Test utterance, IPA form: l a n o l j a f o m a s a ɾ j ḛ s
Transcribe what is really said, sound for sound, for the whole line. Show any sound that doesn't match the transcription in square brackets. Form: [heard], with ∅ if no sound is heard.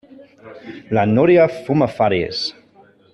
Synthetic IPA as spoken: l a n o [ɾ] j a f [u] m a [f] a ɾ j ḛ s